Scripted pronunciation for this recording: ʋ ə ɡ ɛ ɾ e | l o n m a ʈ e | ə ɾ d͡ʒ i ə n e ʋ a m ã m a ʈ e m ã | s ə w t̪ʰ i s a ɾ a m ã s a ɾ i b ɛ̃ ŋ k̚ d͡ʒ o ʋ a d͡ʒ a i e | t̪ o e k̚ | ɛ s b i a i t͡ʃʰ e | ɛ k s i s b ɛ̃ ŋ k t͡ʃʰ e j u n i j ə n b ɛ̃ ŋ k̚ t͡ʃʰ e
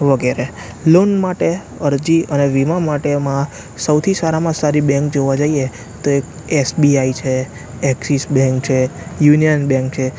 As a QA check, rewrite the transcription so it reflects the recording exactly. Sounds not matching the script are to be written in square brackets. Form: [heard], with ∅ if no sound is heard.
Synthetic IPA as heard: ʋ ə ɡ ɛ ɾ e | l o n m a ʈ e | ə ɾ d͡ʒ i ə n e ʋ [i] m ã m a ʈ e m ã | s ə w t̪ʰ i s a ɾ a m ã s a ɾ i b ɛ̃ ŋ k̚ d͡ʒ o ʋ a d͡ʒ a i e | t̪ o e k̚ | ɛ s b i a i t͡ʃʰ e | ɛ k s i s b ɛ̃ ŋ k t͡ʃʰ e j u n i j ə n b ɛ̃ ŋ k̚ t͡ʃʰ e